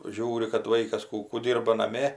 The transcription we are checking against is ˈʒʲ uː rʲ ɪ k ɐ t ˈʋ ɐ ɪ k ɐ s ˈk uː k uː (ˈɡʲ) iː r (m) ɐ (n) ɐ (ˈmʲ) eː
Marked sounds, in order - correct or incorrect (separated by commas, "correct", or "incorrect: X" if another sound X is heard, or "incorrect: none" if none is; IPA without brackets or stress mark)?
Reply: incorrect: dʲ, incorrect: b, correct, correct